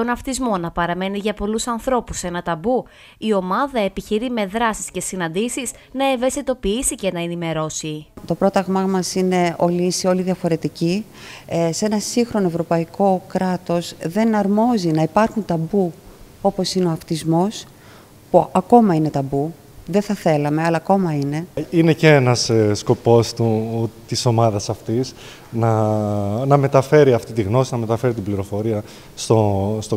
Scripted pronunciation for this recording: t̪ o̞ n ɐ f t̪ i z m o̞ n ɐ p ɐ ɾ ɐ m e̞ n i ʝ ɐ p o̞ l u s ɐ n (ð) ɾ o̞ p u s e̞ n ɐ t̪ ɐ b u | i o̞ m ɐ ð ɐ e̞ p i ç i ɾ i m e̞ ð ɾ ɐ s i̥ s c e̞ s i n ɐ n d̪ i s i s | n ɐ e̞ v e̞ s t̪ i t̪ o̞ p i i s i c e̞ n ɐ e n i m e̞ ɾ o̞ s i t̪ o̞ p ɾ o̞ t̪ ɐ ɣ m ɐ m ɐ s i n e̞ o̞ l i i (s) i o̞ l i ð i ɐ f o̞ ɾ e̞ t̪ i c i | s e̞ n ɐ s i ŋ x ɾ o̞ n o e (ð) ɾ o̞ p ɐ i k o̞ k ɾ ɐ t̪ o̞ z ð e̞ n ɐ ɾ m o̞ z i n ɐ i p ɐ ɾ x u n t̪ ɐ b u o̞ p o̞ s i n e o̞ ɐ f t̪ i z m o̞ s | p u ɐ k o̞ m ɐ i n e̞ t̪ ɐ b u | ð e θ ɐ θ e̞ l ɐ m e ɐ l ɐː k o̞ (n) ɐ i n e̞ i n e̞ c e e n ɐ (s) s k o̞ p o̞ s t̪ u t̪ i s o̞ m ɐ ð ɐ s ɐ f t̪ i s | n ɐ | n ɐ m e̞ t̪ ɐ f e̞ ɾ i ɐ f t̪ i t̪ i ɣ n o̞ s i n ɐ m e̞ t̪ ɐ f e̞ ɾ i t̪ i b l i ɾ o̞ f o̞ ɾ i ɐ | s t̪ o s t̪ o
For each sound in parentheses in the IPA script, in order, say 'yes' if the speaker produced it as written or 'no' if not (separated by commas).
no, yes, no, no, yes